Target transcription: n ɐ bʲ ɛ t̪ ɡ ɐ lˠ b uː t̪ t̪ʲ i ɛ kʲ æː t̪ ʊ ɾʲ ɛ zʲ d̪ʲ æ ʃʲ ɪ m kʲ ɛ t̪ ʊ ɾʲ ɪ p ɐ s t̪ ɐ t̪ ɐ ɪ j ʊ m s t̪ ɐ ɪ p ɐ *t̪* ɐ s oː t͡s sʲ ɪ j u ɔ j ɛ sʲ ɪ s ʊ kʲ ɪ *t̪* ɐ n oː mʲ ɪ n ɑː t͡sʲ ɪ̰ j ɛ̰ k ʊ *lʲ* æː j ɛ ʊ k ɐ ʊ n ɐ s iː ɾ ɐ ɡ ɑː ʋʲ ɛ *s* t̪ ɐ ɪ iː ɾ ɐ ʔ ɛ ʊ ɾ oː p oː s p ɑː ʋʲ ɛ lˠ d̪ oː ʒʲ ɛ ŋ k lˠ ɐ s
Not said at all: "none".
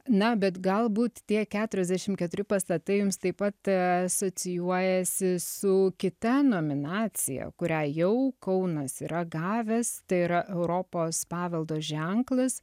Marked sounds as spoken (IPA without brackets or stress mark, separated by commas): t̪, t̪, ɾʲ, s